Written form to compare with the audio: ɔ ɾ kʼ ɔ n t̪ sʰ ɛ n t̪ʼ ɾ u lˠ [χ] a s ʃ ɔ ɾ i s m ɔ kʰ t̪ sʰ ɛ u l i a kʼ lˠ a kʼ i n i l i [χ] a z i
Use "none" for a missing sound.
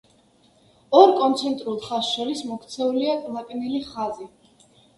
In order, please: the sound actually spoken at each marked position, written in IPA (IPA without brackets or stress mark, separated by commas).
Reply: χ, χ